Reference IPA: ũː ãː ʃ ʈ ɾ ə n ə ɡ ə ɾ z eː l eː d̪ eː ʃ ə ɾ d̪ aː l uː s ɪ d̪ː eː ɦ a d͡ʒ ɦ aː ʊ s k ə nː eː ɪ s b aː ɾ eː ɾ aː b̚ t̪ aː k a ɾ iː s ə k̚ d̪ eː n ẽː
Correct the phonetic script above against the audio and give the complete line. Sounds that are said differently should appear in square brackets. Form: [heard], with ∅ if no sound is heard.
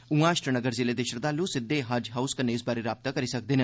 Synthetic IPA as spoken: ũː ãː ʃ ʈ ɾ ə n ə ɡ ə ɾ z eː l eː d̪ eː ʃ ə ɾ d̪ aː l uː s ɪ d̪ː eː ɦ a d͡ʒ ɦ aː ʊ s k ə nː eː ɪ s b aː ɾ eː ɾ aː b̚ t̪ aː k [ə] ɾ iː s ə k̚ d̪ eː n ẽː